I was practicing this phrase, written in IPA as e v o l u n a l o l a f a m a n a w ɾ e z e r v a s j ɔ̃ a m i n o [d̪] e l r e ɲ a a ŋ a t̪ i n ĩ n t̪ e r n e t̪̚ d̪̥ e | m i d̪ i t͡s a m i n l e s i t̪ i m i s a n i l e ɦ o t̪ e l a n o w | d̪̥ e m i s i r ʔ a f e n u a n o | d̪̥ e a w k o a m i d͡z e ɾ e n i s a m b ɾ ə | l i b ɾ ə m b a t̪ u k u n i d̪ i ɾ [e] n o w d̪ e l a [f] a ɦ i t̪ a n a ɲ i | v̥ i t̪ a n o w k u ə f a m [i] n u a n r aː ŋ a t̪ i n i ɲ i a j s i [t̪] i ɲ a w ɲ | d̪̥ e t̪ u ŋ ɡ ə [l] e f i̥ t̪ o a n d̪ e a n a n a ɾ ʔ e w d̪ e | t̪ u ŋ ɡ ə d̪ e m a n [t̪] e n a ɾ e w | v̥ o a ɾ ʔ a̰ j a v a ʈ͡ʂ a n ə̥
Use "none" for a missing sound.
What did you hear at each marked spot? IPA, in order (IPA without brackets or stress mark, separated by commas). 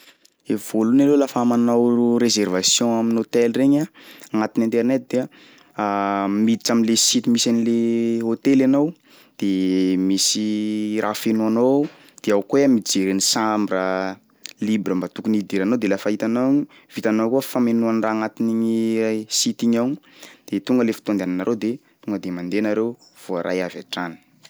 t̪, a, f, e, t̪, l, d̪